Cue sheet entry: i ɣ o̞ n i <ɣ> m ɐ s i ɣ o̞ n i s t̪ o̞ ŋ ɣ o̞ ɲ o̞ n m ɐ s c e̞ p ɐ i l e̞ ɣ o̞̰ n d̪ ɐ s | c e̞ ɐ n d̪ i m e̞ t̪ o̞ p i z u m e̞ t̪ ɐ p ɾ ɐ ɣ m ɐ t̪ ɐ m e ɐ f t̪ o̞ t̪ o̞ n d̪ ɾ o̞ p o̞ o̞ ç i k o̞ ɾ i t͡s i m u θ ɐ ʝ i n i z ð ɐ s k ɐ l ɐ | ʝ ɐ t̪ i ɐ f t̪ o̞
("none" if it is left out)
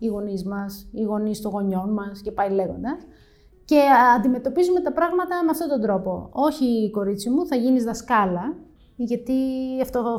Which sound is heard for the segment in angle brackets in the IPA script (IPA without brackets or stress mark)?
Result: z